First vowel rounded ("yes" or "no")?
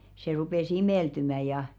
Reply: no